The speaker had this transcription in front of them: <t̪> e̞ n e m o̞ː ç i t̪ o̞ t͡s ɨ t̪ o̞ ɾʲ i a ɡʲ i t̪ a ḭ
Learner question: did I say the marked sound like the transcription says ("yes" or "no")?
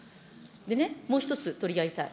no